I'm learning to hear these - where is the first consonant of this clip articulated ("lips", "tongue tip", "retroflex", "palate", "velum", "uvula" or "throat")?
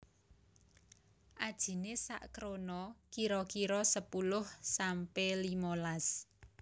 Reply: throat